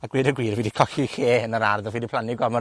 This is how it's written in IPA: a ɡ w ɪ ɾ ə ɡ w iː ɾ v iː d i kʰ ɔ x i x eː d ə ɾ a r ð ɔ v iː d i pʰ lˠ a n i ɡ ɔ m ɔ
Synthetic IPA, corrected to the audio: a ɡ w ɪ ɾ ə ɡ w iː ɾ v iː d i kʰ ɔ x i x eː n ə ɾ a r ð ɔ v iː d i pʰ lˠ a n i ɡ ɔ m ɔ